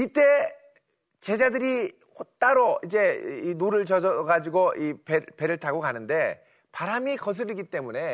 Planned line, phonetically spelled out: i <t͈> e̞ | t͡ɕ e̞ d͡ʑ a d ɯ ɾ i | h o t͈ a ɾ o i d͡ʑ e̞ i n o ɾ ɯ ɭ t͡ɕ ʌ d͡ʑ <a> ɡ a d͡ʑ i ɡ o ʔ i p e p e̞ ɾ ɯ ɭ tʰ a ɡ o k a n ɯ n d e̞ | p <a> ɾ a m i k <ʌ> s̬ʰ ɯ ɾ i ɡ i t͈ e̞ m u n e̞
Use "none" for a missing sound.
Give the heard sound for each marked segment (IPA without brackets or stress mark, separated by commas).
t͈, ʌ, a, ʌ